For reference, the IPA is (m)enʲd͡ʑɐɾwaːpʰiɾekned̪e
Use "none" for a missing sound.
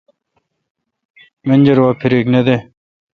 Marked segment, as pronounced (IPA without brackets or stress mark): m